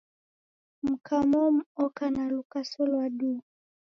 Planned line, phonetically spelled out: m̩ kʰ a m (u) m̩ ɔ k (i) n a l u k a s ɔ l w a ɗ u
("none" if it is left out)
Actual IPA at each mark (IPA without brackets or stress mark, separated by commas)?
ɔ, a